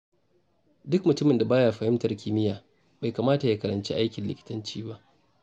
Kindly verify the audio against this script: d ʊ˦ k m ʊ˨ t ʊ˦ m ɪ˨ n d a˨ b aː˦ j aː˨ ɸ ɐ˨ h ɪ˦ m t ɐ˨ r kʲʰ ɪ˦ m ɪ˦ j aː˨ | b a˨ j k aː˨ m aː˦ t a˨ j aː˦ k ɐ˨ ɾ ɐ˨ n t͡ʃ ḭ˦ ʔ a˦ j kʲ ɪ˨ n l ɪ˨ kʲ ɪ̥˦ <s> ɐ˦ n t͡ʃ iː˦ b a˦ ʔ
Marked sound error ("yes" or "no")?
yes